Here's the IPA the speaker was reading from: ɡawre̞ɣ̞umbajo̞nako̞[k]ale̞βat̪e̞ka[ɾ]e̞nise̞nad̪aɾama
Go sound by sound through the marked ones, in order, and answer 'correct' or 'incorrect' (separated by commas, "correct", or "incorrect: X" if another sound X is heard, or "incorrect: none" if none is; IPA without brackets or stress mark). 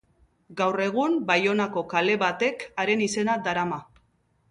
correct, correct